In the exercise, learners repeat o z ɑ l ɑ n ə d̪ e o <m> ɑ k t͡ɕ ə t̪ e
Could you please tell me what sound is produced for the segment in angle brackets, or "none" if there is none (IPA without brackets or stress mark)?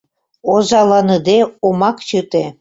m